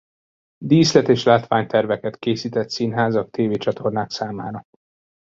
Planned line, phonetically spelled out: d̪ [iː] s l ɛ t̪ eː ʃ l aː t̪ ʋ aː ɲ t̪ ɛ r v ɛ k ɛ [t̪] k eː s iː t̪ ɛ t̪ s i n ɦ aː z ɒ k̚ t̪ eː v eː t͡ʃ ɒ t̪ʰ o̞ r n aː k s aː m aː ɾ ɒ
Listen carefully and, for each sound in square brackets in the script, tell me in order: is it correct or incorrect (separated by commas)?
correct, correct